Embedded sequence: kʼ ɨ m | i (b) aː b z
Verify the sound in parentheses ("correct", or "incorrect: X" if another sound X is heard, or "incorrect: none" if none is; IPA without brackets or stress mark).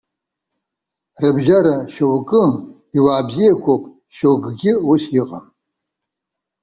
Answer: incorrect: w